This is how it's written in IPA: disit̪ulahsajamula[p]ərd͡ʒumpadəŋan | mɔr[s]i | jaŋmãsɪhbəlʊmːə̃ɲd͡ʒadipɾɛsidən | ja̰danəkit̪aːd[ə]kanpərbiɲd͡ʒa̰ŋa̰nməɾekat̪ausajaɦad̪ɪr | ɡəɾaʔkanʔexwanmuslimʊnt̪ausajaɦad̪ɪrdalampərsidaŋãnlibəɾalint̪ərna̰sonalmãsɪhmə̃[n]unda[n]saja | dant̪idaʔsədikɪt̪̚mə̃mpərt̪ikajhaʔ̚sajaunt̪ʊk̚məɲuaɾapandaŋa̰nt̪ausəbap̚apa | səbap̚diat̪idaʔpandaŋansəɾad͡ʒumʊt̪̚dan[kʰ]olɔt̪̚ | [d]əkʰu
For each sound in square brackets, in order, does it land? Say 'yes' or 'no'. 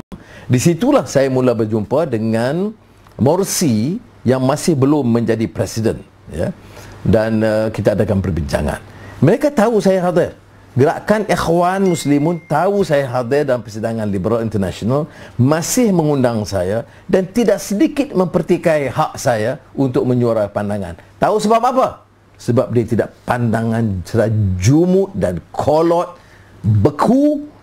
no, yes, no, no, no, yes, no

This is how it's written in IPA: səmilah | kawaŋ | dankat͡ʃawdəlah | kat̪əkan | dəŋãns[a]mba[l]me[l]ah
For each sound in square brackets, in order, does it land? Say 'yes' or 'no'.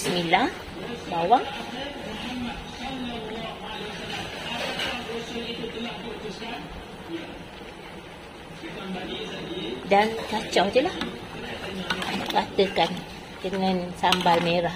yes, yes, no

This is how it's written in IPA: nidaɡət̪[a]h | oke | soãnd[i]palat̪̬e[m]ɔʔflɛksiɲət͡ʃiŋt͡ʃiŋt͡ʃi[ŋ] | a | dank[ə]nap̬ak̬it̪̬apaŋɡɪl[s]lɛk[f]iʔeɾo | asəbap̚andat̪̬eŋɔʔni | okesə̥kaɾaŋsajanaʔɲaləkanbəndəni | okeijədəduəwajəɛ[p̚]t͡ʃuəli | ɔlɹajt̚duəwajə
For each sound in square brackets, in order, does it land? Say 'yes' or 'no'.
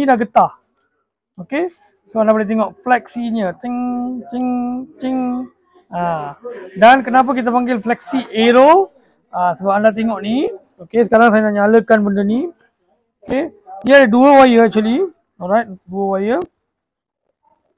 yes, no, no, yes, yes, no, no, no

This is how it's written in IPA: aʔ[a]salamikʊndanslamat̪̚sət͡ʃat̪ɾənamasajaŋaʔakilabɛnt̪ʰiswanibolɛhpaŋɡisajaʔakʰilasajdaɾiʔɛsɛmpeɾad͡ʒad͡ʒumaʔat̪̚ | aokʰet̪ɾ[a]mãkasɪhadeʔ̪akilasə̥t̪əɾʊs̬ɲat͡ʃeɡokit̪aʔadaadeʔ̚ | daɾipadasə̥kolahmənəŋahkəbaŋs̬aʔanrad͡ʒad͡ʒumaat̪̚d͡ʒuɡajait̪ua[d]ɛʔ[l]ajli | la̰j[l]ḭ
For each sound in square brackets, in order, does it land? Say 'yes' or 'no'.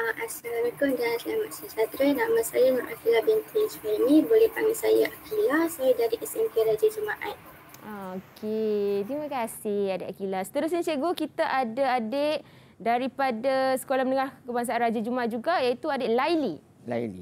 yes, no, yes, yes, yes

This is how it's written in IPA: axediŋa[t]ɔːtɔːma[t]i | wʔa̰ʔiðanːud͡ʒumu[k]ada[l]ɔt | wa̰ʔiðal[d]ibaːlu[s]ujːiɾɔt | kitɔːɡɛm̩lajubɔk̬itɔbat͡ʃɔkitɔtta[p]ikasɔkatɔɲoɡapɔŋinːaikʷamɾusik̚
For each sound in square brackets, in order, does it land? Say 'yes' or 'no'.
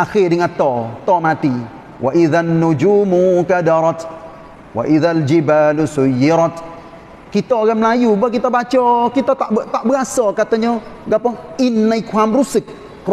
yes, yes, yes, no, no, yes, no

